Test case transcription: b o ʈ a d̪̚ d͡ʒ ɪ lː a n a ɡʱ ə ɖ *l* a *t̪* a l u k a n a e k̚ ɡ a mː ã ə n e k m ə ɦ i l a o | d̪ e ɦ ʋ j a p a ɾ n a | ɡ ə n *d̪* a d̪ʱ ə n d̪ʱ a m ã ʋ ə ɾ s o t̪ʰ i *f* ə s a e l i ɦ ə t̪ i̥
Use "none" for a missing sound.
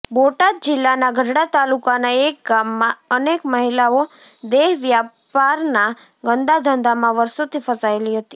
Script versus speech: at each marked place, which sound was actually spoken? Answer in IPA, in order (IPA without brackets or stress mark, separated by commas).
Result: ɽ, t̪, d̪, f